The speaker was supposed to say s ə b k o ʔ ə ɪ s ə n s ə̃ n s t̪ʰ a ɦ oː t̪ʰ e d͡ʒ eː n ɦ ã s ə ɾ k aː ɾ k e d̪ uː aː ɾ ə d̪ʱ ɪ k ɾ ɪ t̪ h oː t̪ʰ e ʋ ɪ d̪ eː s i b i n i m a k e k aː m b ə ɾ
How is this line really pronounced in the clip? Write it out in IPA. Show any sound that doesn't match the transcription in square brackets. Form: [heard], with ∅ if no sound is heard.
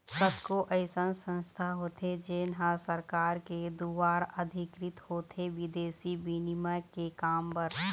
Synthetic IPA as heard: s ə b k o ʔ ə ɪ s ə n s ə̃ n s t̪ʰ a ɦ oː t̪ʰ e d͡ʒ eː n ɦ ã s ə ɾ k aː ɾ k e d̪ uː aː ɾ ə d̪ʱ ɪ k ɾ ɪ t̪ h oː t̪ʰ e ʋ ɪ d̪ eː s i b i n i m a k e k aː m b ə ɾ

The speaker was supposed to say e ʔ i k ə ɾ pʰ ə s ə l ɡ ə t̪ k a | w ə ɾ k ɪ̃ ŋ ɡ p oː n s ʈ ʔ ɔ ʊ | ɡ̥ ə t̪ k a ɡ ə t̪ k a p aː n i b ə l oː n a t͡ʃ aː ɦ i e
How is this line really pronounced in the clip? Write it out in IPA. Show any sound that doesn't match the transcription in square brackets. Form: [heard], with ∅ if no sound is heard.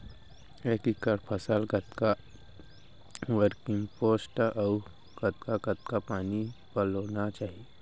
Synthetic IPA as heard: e [k] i k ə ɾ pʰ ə s ə l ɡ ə t̪ k a | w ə ɾ k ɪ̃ ŋ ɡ p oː [∅] s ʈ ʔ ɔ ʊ | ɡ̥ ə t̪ k a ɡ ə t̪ k a p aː n i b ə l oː n a t͡ʃ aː ɦ i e

